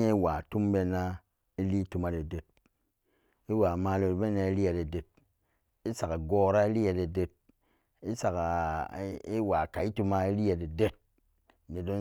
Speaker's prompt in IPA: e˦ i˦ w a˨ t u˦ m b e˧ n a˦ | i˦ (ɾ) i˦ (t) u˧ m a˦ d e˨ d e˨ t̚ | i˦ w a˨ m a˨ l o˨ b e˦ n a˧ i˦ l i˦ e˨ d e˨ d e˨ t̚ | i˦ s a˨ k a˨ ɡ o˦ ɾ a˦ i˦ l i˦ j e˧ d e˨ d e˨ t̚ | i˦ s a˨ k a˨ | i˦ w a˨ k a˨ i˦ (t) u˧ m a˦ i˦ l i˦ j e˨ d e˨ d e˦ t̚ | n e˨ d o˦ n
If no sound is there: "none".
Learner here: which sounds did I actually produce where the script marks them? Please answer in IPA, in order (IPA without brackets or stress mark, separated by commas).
l, t, t